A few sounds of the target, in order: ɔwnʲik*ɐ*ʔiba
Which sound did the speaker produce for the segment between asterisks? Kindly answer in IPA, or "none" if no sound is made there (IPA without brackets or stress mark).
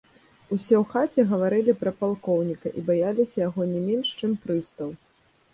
ɐ